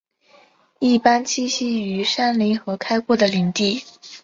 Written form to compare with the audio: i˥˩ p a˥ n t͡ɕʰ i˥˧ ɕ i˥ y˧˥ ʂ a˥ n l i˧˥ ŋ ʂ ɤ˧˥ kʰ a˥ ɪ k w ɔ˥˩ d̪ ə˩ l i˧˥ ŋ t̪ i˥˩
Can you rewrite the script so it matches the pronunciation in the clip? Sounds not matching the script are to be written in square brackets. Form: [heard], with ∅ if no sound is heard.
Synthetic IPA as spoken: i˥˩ p a˥ n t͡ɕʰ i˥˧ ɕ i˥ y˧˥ ʂ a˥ n l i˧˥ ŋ [x] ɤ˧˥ kʰ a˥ ɪ k w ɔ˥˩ d̪ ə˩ l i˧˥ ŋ t̪ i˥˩